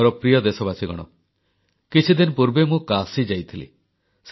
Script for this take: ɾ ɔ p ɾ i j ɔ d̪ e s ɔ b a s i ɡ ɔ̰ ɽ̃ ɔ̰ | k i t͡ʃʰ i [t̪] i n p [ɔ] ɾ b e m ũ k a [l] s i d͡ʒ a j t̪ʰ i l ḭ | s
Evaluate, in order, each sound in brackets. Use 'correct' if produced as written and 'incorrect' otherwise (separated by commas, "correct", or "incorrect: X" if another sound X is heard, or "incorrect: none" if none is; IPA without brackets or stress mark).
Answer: incorrect: d̪, incorrect: u, incorrect: none